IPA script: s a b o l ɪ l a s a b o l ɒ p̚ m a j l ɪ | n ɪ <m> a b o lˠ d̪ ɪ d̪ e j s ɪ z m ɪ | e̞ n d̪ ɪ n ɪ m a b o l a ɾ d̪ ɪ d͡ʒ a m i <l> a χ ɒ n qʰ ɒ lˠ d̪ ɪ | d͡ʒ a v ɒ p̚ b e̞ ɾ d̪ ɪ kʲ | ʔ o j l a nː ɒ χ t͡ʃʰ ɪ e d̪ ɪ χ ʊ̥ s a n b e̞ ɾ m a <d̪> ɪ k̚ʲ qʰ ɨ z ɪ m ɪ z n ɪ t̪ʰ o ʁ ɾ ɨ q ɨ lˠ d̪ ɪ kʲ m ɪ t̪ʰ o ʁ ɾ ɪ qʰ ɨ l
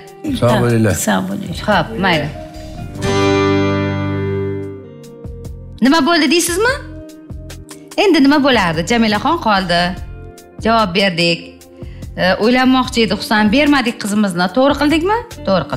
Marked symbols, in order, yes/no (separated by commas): yes, yes, yes